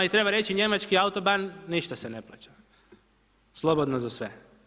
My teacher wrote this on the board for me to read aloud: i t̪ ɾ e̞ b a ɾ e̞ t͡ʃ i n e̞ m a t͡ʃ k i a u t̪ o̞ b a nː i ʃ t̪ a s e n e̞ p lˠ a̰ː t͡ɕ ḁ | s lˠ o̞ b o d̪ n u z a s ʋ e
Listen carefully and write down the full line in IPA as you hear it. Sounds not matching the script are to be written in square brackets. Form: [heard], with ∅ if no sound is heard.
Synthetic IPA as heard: i t̪ ɾ e̞ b a ɾ e̞ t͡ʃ i [ɲ] e̞ m a t͡ʃ k i a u t̪ o̞ b a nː i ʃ t̪ a s e n e̞ p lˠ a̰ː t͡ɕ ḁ | s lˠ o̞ b o d̪ n [o] z a s ʋ e